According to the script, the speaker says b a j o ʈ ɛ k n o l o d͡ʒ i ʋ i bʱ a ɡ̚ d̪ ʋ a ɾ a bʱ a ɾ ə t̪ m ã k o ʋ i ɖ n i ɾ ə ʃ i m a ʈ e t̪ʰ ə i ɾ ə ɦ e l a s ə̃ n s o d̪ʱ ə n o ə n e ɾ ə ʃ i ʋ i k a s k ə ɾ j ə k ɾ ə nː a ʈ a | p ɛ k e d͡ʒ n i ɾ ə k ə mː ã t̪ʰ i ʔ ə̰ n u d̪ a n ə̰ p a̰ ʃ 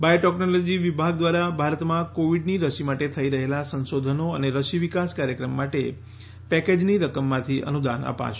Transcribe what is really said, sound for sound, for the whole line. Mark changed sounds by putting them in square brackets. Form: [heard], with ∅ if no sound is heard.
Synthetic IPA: b a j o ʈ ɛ k n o l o d͡ʒ i ʋ i bʱ a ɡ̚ d̪ ʋ a ɾ a bʱ a ɾ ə t̪ m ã k o ʋ i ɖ n i ɾ ə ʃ i m a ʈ e t̪ʰ ə i ɾ ə ɦ e l a s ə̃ n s o d̪ʱ ə n o ə n e ɾ ə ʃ i ʋ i k a s k [a] ɾ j ə k ɾ ə [mː] a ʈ [e] | p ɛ k e d͡ʒ n i ɾ ə k ə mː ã t̪ʰ i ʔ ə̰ n u d̪ a n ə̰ p a̰ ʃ